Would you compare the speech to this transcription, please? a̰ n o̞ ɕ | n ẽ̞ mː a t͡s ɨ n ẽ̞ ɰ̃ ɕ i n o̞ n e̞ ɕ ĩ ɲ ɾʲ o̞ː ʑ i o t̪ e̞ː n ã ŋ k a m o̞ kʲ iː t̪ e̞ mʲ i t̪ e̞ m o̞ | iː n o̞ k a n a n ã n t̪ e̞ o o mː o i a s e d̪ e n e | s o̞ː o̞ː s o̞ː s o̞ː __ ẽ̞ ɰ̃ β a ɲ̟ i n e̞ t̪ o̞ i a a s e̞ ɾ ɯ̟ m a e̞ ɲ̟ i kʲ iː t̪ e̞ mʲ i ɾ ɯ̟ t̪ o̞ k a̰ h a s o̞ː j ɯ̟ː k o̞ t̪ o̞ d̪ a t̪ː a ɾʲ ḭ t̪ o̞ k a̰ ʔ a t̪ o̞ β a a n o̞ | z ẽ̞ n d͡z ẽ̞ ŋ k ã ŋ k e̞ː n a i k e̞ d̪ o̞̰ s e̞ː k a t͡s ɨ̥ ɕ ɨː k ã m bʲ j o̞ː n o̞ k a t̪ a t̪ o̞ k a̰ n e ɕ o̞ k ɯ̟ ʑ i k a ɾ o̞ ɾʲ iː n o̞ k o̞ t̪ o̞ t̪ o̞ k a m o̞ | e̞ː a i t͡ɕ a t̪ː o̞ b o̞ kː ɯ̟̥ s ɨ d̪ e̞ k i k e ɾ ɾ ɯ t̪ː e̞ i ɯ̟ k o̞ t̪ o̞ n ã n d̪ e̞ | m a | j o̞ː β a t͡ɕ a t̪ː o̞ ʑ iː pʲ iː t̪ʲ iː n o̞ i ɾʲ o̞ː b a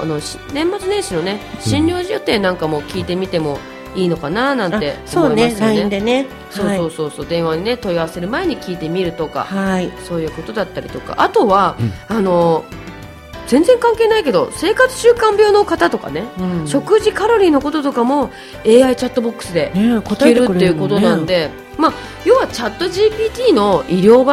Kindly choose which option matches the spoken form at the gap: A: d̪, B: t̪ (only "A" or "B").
A